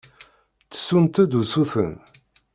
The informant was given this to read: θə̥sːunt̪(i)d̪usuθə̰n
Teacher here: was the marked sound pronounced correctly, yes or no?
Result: no